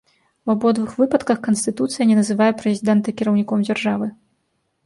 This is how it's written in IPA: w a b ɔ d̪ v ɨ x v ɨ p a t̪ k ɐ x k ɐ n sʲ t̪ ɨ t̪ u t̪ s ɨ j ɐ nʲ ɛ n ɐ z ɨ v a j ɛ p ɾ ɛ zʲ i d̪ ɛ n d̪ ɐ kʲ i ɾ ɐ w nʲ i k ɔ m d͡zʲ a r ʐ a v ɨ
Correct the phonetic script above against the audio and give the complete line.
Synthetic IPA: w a b ɔ d̪ v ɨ x v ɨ p ɐ t̪ k ɐ x k ɐ n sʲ t̪ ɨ t̪ u t̪ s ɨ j ɐ nʲ ɛ n ɐ z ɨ v a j ɛ p ɾ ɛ zʲ i d̪ ɛ n t̪ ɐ kʲ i ɾ ɐ w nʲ i k ɔ m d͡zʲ a r ʐ a v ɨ